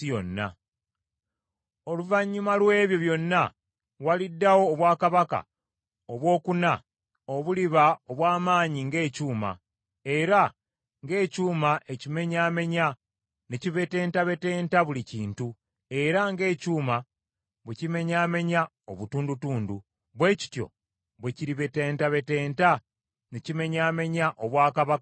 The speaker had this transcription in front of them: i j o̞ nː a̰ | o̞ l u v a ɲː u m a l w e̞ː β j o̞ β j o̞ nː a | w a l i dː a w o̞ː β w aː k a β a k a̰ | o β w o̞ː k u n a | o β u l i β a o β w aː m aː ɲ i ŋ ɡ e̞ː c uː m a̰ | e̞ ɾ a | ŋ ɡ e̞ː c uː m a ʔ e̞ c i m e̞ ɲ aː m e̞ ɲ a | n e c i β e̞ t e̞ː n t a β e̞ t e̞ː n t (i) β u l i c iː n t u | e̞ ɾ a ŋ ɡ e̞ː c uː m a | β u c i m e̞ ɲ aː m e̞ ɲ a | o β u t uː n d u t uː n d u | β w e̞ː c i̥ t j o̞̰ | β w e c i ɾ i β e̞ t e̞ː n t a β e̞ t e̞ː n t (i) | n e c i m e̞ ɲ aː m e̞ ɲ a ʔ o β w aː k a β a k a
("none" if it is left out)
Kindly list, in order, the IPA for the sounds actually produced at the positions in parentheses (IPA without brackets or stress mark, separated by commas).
a, a